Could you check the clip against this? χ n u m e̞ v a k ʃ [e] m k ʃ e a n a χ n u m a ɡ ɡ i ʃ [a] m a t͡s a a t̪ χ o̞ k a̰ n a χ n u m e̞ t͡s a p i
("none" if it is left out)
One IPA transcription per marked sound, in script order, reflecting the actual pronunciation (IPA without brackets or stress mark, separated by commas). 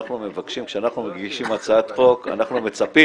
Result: i, i